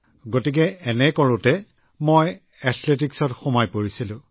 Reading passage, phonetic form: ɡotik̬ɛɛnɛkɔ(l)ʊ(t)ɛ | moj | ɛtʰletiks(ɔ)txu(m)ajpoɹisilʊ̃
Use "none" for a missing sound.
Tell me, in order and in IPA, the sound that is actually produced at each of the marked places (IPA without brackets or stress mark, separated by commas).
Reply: ɹ, t, ɔ, m